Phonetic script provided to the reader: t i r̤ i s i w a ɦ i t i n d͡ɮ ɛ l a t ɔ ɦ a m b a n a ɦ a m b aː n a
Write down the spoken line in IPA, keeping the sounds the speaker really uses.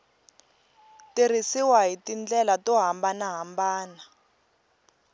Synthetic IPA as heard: t i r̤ i s i w a ɦ i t i n d͡ɮ ɛ l a t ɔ ɦ a m b a n a ɦ a m b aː n a